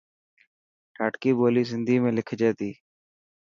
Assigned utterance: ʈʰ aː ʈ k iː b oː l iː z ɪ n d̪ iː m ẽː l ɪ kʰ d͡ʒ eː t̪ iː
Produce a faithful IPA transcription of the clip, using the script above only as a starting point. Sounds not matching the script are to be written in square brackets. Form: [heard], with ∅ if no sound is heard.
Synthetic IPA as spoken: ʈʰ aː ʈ k iː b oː l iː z ɪ n d̪ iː m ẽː l ɪ kʰ d͡ʒ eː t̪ iː